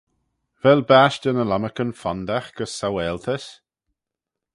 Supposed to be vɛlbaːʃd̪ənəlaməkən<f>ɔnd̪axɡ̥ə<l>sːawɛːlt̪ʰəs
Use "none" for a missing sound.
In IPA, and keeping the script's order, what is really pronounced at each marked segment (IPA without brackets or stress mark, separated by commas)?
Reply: f, none